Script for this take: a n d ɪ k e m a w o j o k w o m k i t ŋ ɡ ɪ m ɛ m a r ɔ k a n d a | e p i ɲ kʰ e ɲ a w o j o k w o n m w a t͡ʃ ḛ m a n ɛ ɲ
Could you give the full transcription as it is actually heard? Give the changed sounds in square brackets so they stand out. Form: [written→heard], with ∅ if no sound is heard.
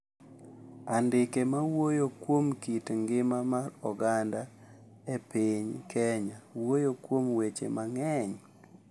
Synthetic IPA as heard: a n d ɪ k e m a w o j o k w o m k i t ŋ ɡ ɪ m [ɛ→a] m a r ɔ [k→ɡ] a n d a | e p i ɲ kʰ [e→ɛ] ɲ a w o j o k w o [n→∅] m w [a→e] t͡ʃ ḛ m a [n→ŋ] ɛ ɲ